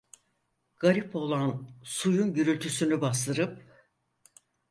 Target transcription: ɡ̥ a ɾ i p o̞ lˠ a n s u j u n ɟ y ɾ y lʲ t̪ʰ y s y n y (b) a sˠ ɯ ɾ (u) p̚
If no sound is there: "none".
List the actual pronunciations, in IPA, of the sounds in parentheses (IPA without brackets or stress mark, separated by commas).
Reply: b, ɯ